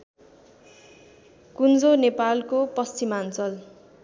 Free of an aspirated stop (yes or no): yes